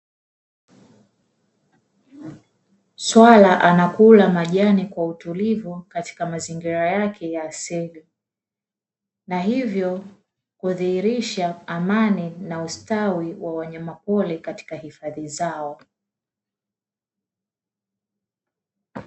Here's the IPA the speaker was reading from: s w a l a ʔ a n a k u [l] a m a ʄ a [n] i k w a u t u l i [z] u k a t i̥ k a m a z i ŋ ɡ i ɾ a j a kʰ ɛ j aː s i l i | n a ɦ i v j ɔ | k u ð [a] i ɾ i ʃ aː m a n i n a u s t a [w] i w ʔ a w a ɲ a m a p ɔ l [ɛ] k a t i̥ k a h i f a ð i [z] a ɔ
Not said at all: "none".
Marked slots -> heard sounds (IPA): l, n, v, i, w, ɛ, z

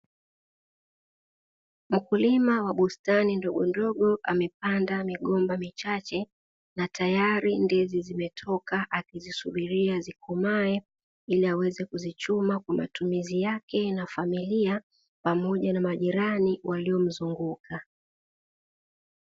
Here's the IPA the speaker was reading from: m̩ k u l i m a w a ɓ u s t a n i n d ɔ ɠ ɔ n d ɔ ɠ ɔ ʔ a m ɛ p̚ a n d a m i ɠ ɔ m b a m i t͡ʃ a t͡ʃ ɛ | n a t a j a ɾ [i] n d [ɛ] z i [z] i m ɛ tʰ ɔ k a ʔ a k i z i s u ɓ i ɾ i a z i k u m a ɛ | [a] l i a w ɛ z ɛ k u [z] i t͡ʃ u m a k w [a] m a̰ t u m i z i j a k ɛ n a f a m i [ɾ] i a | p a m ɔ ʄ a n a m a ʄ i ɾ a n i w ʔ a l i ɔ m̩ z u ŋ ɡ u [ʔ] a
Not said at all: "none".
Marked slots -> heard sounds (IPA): i, ɛ, z, i, z, a, l, k

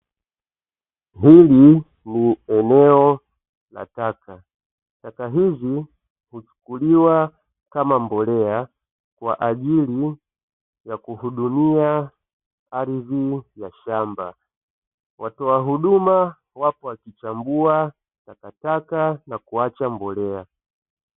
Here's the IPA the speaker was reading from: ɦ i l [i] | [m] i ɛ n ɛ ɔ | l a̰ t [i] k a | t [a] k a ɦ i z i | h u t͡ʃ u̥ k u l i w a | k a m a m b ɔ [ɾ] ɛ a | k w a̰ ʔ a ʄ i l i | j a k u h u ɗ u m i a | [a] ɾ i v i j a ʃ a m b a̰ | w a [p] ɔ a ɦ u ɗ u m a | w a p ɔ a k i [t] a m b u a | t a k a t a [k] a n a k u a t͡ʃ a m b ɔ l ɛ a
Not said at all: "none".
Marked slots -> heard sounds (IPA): i, n, a, a, l, a, t, t͡ʃ, k

